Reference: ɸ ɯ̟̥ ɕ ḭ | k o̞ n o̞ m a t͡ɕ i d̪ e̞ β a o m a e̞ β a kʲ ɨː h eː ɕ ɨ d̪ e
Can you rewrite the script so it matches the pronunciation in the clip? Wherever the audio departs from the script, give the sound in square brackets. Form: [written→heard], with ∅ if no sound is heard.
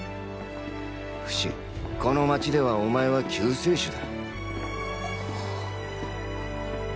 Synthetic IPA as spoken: ɸ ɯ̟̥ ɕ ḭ | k o̞ n o̞ m a t͡ɕ i d̪ e̞ β a o m a e̞ β a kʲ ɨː [h→s] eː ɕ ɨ d̪ [e→a]